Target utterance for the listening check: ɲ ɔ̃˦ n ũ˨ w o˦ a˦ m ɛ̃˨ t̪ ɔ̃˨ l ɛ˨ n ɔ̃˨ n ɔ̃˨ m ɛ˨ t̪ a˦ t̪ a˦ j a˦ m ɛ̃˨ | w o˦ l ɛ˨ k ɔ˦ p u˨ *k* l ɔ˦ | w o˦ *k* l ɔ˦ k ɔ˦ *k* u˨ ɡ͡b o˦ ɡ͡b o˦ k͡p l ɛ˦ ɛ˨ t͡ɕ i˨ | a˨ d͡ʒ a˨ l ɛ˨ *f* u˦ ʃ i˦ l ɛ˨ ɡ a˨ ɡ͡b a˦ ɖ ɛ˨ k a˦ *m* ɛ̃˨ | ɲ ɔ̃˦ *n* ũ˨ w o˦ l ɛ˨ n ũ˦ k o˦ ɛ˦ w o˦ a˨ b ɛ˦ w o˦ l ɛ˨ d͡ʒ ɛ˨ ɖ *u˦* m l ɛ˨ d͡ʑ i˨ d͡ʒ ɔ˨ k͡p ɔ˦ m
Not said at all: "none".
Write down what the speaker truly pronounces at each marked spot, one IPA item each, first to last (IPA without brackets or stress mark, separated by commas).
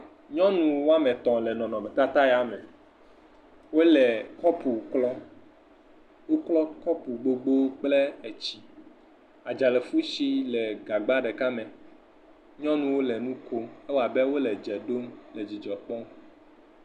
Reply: k, k, p, f, m, n, o˦